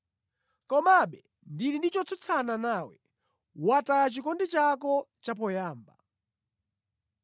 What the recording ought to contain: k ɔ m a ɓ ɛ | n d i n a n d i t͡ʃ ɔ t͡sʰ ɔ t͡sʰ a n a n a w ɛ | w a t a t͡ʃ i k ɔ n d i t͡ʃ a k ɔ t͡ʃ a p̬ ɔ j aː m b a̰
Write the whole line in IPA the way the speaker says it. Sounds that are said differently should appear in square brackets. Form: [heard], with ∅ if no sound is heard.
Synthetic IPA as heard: k ɔ m a ɓ ɛ | n d i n [i] n d i t͡ʃ ɔ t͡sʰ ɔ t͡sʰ a n a n a w ɛ | w a t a t͡ʃ i k ɔ n d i t͡ʃ a k ɔ t͡ʃ a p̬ ɔ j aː m b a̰